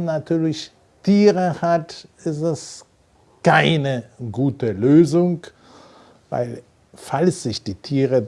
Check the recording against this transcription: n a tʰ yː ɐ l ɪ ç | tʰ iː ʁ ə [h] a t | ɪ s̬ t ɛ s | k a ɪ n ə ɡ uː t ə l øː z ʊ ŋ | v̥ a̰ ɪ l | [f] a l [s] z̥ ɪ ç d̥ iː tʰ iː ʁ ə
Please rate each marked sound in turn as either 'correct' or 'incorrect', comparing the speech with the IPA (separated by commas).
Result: correct, correct, correct